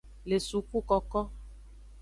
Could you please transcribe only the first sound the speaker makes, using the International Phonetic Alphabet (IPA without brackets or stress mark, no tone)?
l